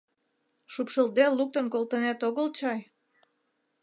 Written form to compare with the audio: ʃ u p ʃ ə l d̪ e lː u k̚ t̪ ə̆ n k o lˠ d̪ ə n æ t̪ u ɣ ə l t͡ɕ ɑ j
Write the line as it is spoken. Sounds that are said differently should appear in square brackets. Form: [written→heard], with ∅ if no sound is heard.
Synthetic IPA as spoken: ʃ u p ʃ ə l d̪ e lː u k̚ t̪ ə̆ n k o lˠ [d̪→t̪] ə n æ t̪ [u→o] ɣ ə l t͡ɕ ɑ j

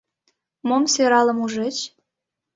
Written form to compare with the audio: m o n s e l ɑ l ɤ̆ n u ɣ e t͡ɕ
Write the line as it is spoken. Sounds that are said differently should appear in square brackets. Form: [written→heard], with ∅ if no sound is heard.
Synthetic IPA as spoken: m o [n→m] s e [l→ɾ] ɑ l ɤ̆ [n→m] u [ɣ→ʒ] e t͡ɕ

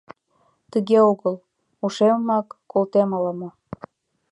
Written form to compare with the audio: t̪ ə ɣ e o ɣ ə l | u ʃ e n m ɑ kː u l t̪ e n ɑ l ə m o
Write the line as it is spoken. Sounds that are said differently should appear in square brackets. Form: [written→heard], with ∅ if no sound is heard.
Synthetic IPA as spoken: t̪ ə ɣ e o ɣ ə l | u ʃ e [n→m] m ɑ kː [u→o] l t̪ e [n→m] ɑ l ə m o

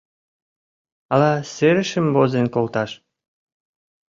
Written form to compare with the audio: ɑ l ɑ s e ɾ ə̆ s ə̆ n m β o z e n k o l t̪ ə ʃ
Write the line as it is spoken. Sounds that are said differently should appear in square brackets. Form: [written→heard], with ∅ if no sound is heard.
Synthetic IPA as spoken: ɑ l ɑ s e ɾ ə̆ [s→ʃ] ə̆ [n→∅] m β o z e n k o l t̪ [ə→ɑ] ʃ

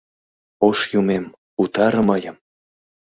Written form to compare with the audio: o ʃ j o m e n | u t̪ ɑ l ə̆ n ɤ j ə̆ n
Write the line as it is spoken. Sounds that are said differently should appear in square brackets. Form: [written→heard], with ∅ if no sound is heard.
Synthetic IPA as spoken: o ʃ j [o→u] m e [n→m] | u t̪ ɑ [l→ɾ] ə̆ [n→m] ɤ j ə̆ [n→m]

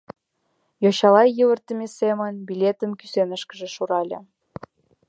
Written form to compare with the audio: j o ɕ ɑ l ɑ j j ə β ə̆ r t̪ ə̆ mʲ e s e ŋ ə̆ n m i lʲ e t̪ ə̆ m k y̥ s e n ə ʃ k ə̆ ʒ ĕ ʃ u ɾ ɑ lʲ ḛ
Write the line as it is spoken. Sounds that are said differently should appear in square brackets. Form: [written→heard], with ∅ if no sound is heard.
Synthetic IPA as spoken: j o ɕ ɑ l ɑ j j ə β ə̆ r t̪ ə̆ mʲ e s e [ŋ→m] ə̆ n [m→b] i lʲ e t̪ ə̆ m k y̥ s e n ə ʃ k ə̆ ʒ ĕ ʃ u ɾ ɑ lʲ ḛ

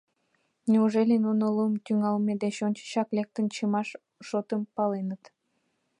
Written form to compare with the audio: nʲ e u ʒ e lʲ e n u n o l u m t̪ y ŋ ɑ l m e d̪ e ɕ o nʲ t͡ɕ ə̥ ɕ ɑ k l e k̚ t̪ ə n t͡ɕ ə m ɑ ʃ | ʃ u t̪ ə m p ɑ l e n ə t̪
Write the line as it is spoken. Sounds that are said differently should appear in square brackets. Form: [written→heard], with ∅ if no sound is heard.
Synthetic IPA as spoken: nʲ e u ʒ e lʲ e n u n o l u m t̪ y ŋ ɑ l m e d̪ e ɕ o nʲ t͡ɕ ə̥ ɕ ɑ k l e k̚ t̪ ə n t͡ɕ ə m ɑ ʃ | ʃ [u→o] t̪ ə m p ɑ l e n ə t̪

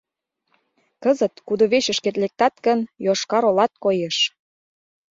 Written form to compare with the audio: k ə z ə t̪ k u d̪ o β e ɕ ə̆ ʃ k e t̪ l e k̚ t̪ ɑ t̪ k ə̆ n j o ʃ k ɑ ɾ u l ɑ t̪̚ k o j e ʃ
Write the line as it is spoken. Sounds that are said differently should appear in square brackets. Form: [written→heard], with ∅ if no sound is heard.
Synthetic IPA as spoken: k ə z ə t̪ k u d̪ o β e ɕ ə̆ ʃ k e t̪ l e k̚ t̪ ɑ t̪ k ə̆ n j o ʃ k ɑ ɾ [u→o] l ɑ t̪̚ k o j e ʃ

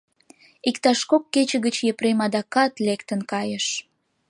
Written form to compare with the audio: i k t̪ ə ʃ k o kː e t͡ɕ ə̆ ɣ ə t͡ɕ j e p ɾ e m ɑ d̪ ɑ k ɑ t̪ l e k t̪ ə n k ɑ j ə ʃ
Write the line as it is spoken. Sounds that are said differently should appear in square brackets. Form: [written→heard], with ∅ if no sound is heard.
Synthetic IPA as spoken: i k t̪ [ə→ɑ] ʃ k o kː e t͡ɕ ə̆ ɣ ə t͡ɕ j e p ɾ e m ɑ d̪ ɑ k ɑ t̪ l e k t̪ ə n k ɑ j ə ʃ

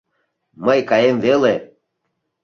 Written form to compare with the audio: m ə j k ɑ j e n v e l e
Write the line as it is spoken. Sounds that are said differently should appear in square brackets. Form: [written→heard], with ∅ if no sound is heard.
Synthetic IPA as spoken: m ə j k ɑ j e [n→m] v e l e

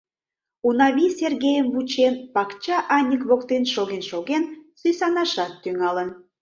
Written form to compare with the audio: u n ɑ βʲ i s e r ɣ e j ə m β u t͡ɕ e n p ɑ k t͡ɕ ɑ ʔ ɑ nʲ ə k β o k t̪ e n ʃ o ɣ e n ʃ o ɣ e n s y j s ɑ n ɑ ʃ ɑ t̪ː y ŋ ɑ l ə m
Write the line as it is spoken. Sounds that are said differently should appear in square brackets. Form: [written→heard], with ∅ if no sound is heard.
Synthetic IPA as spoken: u n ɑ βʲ i s e r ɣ e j ə m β u t͡ɕ e n p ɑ k t͡ɕ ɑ ʔ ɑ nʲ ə k β o k t̪ e n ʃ o ɣ e n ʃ o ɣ e n s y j s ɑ n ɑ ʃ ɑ t̪ː y ŋ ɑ l ə [m→n]

